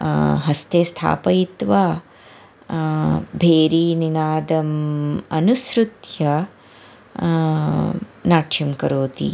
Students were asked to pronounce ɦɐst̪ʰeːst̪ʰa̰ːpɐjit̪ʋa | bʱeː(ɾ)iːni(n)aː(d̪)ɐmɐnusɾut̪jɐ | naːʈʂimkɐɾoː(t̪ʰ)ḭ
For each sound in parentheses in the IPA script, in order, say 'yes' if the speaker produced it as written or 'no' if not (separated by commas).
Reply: yes, yes, yes, no